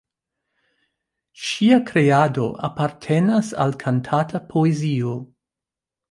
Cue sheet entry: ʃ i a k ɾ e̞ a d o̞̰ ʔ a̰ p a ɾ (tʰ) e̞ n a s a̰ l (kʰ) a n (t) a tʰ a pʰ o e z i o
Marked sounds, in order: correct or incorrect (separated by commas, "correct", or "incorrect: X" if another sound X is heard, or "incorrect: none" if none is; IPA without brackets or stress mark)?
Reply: correct, correct, incorrect: tʰ